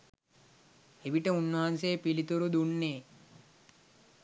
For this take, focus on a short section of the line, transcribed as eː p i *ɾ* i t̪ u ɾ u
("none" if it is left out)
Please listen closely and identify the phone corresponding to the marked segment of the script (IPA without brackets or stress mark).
l